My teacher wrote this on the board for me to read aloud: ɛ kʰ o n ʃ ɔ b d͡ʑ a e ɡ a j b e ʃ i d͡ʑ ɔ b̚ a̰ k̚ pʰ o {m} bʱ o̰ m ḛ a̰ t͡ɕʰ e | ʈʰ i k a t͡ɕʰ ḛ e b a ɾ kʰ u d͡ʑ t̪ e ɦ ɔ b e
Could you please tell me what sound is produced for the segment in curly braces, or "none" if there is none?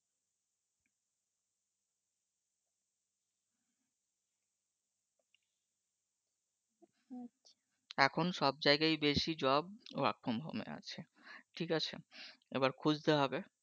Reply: m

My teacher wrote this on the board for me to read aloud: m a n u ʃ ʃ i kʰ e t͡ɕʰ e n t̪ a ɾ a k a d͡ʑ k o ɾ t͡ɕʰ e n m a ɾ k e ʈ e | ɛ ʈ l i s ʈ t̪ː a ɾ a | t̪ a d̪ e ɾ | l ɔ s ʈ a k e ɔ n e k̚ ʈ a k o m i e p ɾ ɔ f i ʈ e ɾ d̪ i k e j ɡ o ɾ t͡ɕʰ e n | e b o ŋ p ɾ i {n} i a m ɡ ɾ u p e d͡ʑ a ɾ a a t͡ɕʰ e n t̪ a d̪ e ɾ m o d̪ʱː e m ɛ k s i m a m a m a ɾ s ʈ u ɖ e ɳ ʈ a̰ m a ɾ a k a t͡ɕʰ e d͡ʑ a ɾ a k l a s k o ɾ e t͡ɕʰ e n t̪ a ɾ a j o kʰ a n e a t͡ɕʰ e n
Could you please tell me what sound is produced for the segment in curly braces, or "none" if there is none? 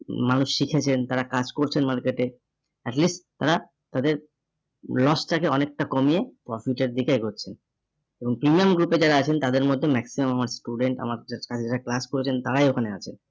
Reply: m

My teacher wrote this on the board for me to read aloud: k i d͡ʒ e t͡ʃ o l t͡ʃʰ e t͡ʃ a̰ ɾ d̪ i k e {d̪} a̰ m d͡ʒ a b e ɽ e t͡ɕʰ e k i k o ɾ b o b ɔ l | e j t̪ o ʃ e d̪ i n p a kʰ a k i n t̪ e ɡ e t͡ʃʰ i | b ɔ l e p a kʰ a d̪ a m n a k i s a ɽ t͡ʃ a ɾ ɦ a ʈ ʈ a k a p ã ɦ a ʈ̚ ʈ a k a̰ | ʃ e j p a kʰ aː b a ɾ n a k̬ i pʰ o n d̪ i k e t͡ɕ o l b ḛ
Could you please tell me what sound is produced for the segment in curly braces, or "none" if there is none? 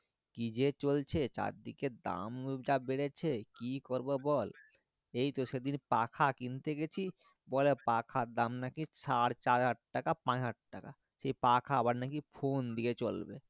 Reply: d̪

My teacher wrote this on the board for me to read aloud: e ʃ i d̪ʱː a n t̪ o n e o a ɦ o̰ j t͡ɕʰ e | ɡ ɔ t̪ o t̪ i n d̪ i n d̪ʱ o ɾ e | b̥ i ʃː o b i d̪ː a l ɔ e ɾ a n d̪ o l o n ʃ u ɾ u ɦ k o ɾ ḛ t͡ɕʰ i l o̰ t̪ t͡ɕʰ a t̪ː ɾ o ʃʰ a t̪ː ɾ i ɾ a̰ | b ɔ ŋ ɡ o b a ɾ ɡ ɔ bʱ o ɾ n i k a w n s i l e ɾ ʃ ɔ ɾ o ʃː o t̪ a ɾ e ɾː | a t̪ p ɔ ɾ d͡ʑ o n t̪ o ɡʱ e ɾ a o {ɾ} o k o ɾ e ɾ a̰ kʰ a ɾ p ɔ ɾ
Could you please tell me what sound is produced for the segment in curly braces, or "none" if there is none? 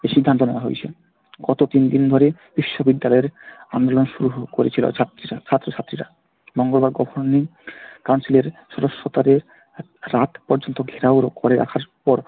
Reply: ɾ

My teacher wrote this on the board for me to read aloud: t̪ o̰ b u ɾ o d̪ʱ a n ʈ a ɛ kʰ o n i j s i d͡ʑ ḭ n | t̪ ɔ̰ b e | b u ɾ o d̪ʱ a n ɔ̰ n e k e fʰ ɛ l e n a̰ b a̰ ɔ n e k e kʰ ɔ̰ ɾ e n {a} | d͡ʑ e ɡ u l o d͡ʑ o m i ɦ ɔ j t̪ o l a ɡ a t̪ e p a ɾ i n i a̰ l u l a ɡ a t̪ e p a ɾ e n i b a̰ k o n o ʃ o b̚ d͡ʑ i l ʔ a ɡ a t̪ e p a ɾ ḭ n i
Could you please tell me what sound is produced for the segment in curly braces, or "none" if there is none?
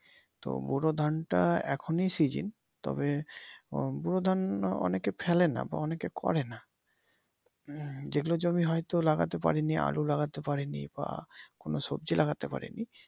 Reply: a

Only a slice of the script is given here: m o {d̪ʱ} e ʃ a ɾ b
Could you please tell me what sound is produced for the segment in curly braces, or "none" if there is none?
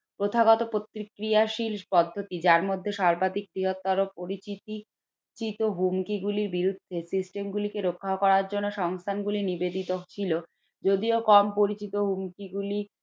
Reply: d̪ʱː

